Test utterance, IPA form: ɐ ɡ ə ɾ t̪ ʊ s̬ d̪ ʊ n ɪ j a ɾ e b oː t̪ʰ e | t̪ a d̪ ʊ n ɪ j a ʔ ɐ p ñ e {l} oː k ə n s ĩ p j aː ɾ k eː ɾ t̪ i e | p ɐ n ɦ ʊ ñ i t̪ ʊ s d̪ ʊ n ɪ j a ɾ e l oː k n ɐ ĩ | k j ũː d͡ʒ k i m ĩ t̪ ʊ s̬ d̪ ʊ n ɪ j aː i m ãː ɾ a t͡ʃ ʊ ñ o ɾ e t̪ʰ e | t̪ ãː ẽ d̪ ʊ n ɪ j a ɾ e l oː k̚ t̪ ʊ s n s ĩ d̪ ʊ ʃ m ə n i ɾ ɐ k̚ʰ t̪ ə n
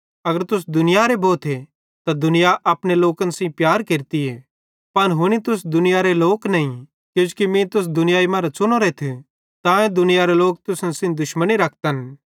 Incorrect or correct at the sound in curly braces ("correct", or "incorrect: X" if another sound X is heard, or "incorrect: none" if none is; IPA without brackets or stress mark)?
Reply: correct